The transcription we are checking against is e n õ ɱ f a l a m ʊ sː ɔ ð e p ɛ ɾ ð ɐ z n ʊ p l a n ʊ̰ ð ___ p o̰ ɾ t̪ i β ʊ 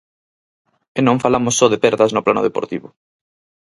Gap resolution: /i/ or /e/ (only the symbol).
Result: e